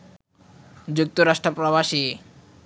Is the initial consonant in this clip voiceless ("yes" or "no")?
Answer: no